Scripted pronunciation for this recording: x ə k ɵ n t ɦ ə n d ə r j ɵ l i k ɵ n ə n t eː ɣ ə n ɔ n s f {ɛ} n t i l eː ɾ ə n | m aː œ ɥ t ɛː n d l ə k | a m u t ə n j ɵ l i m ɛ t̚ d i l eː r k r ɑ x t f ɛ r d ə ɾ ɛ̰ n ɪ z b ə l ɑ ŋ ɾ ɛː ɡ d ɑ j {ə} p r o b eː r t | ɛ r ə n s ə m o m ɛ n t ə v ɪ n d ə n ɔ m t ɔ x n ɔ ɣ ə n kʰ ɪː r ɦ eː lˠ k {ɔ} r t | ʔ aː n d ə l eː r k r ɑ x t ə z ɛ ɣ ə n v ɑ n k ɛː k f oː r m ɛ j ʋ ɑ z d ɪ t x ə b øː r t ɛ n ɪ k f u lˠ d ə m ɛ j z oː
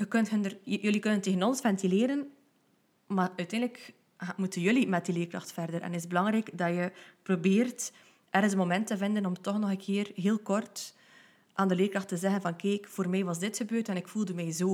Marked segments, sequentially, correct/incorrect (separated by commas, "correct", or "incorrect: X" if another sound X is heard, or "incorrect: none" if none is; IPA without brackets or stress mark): correct, correct, correct